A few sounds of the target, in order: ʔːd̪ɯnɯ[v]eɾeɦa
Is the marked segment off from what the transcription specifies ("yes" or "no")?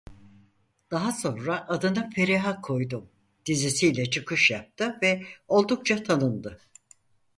yes